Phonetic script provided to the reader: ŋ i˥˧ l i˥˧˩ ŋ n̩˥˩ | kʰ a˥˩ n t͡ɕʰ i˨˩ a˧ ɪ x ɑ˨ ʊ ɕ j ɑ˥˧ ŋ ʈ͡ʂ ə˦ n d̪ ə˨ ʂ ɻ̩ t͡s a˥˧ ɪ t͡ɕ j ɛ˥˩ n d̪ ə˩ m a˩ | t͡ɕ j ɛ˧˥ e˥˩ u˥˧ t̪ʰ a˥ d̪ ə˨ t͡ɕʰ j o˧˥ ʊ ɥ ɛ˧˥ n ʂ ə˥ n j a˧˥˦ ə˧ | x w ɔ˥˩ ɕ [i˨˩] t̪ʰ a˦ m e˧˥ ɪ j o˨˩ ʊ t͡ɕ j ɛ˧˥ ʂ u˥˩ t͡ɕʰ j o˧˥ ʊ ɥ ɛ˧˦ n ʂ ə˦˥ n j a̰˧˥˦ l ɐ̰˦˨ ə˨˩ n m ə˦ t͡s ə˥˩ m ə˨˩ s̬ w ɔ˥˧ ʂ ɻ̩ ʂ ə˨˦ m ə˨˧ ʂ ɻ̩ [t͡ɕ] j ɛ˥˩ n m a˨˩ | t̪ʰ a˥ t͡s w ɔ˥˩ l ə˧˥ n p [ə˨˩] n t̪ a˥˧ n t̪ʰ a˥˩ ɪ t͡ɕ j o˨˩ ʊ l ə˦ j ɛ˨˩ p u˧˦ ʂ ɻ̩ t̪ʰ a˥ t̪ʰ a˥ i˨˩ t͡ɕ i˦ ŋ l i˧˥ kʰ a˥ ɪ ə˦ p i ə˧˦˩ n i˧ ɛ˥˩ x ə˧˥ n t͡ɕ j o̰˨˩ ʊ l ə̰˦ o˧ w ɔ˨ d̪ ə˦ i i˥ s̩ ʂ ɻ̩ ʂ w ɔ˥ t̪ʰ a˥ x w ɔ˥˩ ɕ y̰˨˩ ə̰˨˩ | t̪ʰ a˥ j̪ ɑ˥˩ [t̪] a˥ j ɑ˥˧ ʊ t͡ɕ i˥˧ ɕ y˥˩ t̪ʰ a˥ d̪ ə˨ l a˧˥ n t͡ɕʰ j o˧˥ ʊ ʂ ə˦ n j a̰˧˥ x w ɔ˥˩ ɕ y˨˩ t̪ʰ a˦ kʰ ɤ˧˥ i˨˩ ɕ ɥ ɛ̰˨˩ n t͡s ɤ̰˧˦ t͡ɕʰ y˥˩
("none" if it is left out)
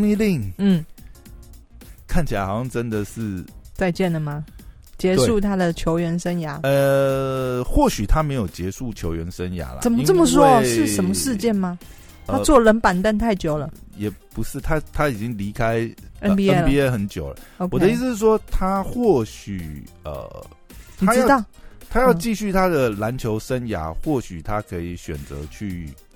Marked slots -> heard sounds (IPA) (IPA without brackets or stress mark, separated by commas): y˨˩, t͡ɕ, a˨˩, t̪ʰ